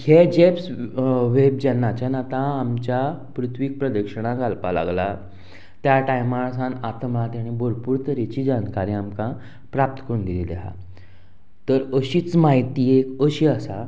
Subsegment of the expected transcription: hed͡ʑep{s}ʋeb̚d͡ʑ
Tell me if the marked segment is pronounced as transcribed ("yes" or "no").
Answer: yes